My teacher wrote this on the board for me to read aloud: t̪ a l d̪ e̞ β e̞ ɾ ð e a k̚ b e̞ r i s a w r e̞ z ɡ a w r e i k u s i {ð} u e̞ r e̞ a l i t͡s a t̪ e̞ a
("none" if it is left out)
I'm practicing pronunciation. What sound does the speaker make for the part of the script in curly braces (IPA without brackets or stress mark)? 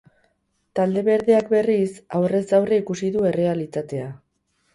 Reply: ð